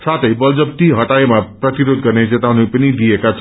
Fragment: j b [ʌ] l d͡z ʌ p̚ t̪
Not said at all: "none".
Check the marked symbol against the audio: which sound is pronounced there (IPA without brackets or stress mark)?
ʌ